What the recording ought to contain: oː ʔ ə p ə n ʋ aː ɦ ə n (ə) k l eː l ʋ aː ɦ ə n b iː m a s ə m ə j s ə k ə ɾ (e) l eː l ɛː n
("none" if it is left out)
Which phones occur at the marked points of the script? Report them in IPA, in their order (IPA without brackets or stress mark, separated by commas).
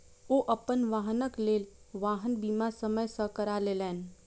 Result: ə, a